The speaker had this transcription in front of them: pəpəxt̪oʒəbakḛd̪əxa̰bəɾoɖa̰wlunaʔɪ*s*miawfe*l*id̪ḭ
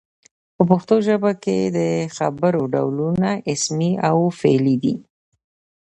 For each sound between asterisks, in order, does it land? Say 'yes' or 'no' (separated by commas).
yes, yes